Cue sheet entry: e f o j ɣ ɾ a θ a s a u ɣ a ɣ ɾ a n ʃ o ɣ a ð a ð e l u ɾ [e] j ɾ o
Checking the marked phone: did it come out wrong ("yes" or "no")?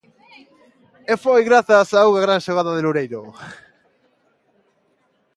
no